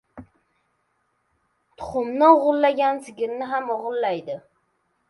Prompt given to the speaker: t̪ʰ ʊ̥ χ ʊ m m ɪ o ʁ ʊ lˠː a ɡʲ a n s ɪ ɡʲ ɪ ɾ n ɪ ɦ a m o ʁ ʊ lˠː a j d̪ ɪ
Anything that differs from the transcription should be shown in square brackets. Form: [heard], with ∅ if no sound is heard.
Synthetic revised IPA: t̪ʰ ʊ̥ χ ʊ m [n] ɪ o ʁ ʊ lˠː a ɡʲ a n s ɪ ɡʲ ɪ ɾ n ɪ ɦ a m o ʁ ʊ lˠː a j d̪ ɪ